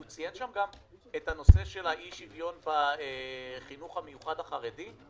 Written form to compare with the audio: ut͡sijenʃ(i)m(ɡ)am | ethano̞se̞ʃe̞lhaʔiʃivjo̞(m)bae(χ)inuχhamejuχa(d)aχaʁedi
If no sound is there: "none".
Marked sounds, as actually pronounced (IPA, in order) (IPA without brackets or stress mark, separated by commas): a, ɡ, n, χ, d